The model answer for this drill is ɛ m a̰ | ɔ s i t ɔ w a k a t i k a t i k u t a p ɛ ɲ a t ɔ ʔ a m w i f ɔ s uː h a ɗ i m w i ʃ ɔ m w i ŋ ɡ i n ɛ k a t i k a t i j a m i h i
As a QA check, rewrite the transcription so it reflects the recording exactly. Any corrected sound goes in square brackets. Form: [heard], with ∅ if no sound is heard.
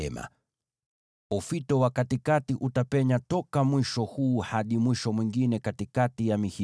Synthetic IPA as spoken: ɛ m a̰ | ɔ [f] i t ɔ w a k a t i k a t i [ʔ] u t a p ɛ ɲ a t ɔ [k] a m w i [ʃ] ɔ [h] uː h a ɗ i m w i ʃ ɔ m w i ŋ ɡ i n ɛ k a t i k a t i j a m i h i